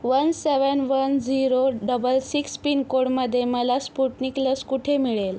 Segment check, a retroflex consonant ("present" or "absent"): present